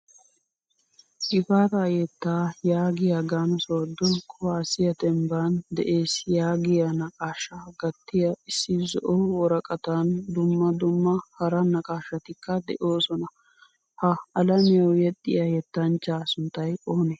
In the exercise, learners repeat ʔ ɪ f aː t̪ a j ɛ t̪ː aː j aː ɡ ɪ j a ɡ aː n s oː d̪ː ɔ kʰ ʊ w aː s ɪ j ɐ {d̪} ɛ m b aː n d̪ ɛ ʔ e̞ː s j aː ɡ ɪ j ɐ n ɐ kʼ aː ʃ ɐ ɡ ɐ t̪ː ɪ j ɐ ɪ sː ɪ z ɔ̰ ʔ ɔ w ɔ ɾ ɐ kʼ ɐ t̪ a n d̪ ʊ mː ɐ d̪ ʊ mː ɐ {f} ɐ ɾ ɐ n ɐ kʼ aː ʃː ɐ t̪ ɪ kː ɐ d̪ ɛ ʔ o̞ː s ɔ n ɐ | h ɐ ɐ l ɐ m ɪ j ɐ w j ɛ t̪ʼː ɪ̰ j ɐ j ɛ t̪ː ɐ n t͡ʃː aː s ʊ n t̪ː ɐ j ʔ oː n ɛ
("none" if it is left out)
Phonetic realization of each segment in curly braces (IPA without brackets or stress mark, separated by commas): t̪, h